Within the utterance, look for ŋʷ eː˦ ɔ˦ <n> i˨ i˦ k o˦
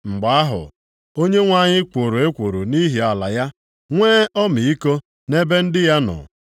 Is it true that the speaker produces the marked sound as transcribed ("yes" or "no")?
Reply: no